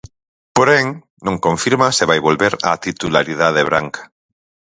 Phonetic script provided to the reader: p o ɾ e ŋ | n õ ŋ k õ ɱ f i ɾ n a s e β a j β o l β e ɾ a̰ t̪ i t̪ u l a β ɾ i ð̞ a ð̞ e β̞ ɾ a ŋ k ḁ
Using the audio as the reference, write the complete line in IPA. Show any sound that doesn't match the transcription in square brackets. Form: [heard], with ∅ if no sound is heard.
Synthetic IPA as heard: p o ɾ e ŋ | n õ ŋ k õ ɱ f i ɾ [m] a s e β a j β o l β e ɾ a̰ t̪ i t̪ u l a [∅] ɾ i ð̞ a ð̞ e β̞ ɾ a ŋ k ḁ